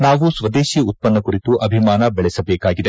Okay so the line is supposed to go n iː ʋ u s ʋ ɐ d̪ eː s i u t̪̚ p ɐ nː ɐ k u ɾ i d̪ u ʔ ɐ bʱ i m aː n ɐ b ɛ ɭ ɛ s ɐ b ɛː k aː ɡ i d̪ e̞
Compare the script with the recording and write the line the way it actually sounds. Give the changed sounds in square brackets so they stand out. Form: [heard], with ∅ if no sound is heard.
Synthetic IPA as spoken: n [aː] ʋ u s ʋ ɐ d̪ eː [ʃ] i u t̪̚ p ɐ nː ɐ k u ɾ i [t̪] u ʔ ɐ bʱ i m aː n ɐ b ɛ ɭ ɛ s ɐ b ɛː k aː ɡ i d̪ e̞